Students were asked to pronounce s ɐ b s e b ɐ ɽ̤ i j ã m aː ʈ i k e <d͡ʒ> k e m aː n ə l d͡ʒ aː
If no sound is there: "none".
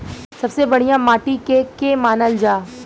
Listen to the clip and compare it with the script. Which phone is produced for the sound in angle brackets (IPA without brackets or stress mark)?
none